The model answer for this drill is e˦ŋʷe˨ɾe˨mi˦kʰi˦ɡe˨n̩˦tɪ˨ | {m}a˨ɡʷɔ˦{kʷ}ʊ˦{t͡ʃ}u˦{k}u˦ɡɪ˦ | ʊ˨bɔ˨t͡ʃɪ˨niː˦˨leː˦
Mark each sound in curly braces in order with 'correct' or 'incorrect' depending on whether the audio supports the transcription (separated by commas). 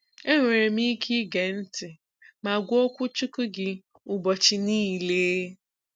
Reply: correct, correct, correct, correct